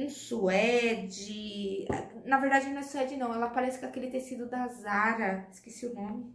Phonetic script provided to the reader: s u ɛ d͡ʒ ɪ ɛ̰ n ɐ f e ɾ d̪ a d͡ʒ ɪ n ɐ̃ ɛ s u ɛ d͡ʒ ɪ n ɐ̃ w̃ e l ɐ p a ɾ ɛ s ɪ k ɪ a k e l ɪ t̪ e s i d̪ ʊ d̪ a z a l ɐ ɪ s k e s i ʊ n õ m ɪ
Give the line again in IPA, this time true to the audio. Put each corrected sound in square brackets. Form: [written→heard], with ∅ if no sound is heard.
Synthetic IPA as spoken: s u ɛ d͡ʒ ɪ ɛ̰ n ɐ [f→v] e ɾ d̪ a d͡ʒ ɪ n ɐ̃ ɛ s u ɛ d͡ʒ ɪ n ɐ̃ w̃ [e→ɛ] l ɐ p a ɾ ɛ s ɪ k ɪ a k e l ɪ t̪ e s i d̪ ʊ d̪ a z a [l→ɾ] ɐ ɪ s k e s i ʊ n õ m ɪ